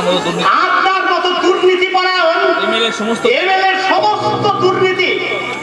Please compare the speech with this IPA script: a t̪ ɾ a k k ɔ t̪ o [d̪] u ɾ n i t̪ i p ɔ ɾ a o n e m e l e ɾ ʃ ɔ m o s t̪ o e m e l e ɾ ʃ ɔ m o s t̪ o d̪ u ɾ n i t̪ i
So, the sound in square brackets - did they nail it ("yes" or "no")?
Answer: yes